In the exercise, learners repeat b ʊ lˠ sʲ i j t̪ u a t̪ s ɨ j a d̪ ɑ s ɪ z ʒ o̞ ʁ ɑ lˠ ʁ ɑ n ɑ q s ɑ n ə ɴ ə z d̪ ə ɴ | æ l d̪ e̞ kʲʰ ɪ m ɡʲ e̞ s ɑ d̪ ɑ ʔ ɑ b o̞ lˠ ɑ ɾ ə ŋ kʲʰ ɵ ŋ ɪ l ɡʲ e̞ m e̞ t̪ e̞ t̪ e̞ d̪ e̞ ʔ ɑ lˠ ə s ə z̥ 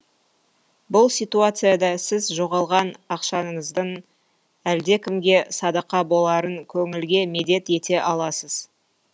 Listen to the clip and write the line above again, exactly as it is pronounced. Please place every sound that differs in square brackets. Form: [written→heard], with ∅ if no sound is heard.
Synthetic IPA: b ʊ lˠ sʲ i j t̪ u a t̪ s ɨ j a d̪ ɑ s ɪ z ʒ o̞ ʁ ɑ lˠ ʁ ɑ n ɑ q [s→ʃ] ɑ n ə ɴ ə z d̪ ə ɴ | æ l d̪ e̞ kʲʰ ɪ m ɡʲ e̞ s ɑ d̪ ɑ [ʔ→q] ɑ b o̞ lˠ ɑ ɾ ə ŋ kʲʰ ɵ ŋ ɪ l ɡʲ e̞ m e̞ [t̪→d̪] e̞ t̪ e̞ [d̪→t̪] e̞ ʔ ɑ lˠ [ə→ɑ] s ə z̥